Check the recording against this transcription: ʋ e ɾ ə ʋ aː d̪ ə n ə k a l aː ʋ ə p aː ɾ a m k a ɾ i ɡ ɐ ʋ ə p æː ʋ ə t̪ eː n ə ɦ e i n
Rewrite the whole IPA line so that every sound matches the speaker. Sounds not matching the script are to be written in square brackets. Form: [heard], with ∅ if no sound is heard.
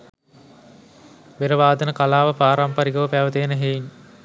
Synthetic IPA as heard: ʋ e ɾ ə ʋ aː d̪ ə n ə k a l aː ʋ ə p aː ɾ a m [p] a ɾ i ɡ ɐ ʋ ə p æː ʋ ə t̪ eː n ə ɦ e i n